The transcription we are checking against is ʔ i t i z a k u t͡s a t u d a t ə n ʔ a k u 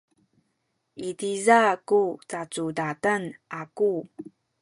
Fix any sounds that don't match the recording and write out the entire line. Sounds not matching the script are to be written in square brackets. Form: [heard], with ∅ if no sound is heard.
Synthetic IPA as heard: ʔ i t i z a k u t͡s a [t͡s] u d a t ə n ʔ a k u